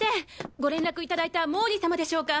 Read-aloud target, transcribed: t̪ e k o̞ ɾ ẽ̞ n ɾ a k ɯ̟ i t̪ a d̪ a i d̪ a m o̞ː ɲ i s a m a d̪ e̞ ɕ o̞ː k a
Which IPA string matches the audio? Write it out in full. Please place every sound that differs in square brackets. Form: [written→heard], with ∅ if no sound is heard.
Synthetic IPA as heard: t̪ e [k→ɡ] o̞ ɾ ẽ̞ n ɾ a k ɯ̟ i t̪ a d̪ a i [d̪→t̪] a m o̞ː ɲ i s a m a d̪ e̞ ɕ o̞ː k a